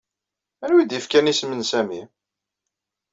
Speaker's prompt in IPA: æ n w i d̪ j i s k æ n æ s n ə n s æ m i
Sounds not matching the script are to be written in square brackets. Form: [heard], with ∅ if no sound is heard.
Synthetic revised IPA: æ n w i d̪ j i [f] k æ n [i] s [m] ə n s æ m i